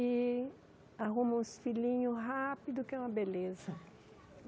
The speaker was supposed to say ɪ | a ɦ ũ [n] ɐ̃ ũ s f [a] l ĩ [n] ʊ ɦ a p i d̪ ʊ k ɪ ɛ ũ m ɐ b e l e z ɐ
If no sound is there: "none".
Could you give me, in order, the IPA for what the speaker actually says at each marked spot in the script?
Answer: m, i, ɲ

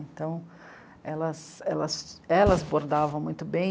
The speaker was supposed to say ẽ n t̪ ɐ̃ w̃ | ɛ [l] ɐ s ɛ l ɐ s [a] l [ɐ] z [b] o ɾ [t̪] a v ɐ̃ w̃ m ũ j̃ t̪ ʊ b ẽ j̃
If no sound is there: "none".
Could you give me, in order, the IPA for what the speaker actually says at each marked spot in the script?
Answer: l, ɛ, ɐ, b, d̪

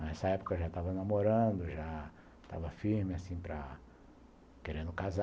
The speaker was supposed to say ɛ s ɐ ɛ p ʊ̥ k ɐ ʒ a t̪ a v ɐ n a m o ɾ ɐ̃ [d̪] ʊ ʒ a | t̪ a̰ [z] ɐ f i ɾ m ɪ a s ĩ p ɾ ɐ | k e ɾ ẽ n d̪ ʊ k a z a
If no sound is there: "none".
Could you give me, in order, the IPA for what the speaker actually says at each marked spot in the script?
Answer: d̪, v

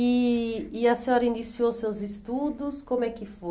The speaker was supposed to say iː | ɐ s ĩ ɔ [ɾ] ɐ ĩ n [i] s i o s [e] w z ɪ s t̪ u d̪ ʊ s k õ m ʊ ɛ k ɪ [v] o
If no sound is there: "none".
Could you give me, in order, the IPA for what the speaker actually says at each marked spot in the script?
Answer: ɾ, i, e, f

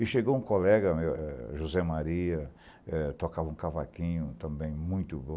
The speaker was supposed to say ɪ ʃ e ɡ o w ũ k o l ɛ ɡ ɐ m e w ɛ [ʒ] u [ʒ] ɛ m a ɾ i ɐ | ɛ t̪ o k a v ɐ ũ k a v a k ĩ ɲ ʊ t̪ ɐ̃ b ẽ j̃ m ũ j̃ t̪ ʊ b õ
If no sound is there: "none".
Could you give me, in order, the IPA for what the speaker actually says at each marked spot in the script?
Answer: ʒ, z

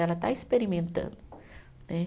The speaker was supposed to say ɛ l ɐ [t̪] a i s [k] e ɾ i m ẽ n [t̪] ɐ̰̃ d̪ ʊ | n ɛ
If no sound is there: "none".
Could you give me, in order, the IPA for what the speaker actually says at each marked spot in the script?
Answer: t̪, p, t̪

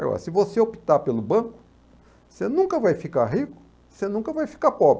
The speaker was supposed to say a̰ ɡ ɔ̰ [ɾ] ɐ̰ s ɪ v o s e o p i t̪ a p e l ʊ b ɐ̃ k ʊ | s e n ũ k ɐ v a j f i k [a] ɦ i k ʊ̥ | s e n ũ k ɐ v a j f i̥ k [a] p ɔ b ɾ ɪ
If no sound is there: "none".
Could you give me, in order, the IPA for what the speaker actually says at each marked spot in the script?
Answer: ɾ, a, a

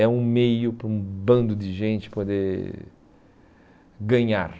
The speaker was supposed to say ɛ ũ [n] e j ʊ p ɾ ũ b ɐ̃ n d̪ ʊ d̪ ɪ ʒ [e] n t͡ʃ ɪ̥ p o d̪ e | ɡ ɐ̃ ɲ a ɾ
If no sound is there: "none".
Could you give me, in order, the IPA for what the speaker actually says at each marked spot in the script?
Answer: m, ẽ

